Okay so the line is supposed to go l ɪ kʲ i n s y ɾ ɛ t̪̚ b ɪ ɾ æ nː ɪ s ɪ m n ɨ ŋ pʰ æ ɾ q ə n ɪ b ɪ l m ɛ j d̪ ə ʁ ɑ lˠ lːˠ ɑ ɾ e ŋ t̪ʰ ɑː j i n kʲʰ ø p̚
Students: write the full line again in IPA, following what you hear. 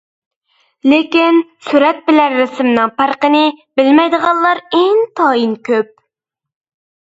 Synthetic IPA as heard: l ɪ kʲ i n s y ɾ ɛ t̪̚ b ɪ l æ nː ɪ s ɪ m n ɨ ŋ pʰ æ ɾ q ə n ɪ b ɪ l m ɛ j d̪ ə ʁ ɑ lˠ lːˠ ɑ ɾ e ŋ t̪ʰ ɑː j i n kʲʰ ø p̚